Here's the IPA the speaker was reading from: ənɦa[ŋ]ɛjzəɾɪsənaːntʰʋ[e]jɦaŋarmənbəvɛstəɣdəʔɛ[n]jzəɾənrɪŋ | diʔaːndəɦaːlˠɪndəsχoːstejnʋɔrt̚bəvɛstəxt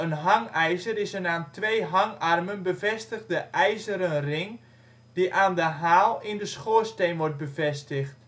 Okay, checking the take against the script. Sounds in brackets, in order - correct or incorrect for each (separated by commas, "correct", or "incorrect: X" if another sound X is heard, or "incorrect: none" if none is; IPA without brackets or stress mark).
correct, correct, incorrect: none